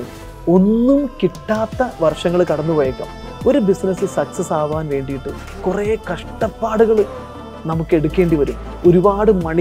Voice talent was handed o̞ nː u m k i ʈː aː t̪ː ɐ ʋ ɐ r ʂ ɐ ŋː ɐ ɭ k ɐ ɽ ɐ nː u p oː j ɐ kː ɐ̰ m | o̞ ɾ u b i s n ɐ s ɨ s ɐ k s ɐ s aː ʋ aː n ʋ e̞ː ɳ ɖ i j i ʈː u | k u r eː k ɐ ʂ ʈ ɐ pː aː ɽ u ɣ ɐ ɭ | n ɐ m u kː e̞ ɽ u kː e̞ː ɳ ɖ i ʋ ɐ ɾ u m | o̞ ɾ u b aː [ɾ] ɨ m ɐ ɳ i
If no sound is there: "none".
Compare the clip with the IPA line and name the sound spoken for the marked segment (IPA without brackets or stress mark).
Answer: ɽ